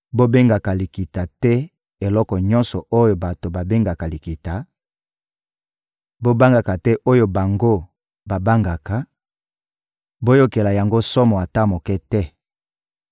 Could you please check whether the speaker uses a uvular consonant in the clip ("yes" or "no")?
no